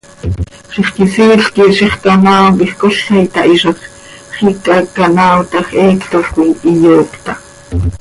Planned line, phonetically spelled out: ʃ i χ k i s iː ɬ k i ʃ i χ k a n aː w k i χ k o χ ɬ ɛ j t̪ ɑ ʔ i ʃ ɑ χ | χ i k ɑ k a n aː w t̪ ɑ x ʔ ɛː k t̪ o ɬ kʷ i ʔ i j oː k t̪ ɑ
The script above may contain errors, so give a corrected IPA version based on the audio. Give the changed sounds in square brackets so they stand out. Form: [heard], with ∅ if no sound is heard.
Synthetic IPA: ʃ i χ k i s iː ɬ k i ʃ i χ k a n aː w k i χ k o [∅] ɬ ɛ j t̪ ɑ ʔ i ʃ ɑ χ | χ i k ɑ k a n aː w t̪ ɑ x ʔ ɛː k t̪ o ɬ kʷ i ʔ i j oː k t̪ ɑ